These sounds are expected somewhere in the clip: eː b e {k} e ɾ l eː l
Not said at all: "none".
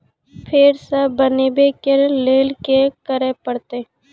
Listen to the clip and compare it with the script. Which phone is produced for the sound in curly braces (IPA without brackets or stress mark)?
k